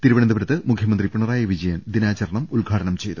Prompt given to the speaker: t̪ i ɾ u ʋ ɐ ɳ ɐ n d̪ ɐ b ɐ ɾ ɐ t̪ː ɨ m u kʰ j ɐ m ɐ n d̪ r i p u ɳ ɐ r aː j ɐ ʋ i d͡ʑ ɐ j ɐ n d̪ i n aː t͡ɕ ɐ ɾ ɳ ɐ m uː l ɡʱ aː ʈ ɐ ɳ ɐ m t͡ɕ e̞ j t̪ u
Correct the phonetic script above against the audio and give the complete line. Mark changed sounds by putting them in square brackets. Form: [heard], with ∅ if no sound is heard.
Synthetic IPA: t̪ i ɾ u ʋ ɐ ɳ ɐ n d̪ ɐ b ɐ ɾ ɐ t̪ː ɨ m u kʰ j ɐ m ɐ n d̪ r i p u ɳ ɐ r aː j ɐ ʋ i d͡ʑ ɐ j ɐ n d̪ i n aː t͡ɕ ɐ ɾ ɳ ɐ m [u] l ɡʱ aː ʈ ɐ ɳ ɐ m t͡ɕ e̞ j t̪ u